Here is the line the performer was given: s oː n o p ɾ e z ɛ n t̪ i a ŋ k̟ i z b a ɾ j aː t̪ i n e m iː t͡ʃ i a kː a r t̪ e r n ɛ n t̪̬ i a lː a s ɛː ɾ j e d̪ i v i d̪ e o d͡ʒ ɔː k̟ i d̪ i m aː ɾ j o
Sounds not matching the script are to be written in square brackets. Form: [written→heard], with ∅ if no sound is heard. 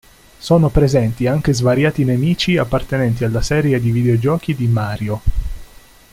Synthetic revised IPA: s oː n o p ɾ e z ɛ n t̪ i a ŋ k̟ [i→e] z [b→v] a ɾ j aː t̪ i n e m iː t͡ʃ i a [kː→pː] a r t̪ e [r→∅] n ɛ n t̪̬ i a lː a s ɛː ɾ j e d̪ i v i d̪ e o d͡ʒ ɔː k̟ i d̪ i m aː ɾ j o